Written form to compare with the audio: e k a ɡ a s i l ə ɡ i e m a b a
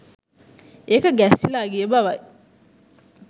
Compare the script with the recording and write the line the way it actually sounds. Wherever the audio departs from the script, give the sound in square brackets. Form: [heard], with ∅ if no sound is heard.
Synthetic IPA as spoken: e k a ɡ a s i l [a] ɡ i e [b] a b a